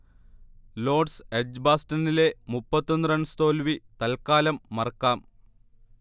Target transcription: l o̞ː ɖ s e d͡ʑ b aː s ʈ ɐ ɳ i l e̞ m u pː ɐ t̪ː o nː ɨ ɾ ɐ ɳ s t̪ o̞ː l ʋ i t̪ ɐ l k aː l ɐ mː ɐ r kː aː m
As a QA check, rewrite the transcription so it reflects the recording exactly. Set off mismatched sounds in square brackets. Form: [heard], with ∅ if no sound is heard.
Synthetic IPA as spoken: l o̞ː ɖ s e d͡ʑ b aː s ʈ ɐ [n] i l e̞ m u pː ɐ t̪ː o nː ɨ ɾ ɐ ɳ s t̪ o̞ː l ʋ i t̪ ɐ l k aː l ɐ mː ɐ r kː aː m